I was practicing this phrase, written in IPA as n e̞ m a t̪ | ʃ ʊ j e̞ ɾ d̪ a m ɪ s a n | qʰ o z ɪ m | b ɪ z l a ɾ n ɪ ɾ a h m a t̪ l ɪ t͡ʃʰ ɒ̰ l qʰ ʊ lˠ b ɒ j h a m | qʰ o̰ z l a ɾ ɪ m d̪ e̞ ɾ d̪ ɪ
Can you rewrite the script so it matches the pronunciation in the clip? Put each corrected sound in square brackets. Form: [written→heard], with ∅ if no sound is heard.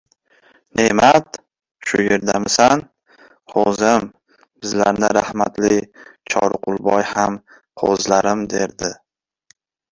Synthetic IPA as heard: n e̞ m a t̪ | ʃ ʊ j e̞ ɾ d̪ a m ɪ s a n | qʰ o z ɪ m | b ɪ z l a ɾ n ɪ ɾ a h m a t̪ l ɪ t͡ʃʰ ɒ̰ [l→ɾ] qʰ ʊ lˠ b ɒ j h a m | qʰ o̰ z l a ɾ ɪ m d̪ e̞ ɾ d̪ ɪ